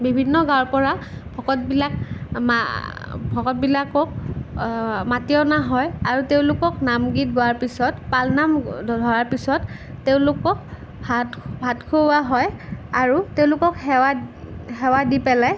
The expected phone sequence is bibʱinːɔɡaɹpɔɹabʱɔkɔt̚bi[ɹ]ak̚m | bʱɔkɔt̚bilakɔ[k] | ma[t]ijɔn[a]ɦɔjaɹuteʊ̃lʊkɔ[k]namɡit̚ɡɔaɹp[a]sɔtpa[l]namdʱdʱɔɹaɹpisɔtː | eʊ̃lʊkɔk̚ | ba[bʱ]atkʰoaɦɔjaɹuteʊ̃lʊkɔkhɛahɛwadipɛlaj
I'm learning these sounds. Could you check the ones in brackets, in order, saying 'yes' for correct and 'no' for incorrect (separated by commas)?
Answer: no, yes, yes, yes, yes, no, yes, yes